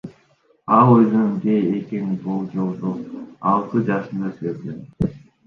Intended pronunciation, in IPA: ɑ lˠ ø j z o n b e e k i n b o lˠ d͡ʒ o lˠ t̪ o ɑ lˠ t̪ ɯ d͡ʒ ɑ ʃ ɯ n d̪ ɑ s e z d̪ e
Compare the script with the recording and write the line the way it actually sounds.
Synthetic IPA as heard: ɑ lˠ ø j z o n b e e k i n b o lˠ d͡ʒ o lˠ d̪ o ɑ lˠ t̪ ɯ d͡ʒ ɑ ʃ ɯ n d̪ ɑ s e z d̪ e